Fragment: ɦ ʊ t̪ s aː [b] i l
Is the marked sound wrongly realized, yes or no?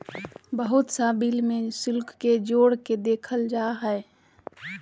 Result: no